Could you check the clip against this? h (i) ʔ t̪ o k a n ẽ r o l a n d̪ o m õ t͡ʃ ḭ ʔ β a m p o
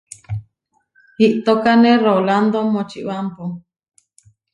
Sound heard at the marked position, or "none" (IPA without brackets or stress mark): i